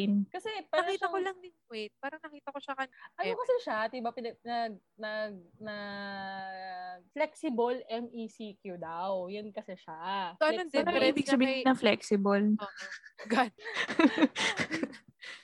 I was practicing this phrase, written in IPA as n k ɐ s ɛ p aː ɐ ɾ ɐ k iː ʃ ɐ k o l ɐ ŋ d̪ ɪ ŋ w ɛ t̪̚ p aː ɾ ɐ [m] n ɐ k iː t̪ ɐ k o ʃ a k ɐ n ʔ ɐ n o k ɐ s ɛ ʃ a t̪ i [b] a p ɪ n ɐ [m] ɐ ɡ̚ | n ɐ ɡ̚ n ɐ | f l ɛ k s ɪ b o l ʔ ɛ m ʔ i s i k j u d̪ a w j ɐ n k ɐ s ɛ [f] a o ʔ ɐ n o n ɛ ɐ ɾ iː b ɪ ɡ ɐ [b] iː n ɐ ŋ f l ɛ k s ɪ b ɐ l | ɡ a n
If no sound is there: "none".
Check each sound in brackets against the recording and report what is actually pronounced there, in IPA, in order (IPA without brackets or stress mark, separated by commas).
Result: ŋ, b, n, ʃ, b